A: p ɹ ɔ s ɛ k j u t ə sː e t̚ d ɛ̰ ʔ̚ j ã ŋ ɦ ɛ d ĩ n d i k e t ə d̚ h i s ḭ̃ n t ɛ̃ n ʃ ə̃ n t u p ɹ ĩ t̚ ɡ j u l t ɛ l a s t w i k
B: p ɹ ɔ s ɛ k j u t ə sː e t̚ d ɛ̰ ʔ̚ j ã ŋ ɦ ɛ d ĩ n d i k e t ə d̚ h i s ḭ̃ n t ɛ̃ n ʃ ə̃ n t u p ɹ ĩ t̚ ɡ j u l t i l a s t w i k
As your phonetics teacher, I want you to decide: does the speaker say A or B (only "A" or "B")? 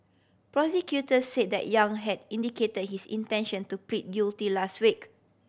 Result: B